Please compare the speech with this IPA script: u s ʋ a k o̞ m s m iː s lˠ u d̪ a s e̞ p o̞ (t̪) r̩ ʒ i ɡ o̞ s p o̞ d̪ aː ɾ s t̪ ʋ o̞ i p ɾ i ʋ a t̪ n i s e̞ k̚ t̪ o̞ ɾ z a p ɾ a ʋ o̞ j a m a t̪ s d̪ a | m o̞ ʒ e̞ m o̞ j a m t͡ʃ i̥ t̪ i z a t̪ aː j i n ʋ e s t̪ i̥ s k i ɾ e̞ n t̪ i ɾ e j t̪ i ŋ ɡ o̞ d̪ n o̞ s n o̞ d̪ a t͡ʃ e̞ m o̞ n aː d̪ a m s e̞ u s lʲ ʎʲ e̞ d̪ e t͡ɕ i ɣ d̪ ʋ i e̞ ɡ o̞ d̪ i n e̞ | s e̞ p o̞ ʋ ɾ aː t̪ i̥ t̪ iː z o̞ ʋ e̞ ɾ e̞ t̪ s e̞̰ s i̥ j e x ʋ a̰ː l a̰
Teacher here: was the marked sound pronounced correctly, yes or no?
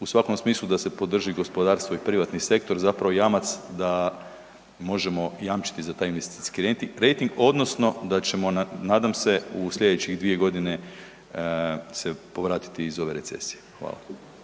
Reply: no